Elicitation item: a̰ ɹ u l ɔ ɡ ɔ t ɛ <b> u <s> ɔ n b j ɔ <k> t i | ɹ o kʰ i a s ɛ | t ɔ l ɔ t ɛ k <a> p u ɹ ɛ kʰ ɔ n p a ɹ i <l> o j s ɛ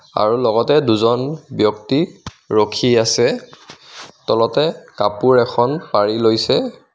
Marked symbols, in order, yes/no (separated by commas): no, no, yes, yes, yes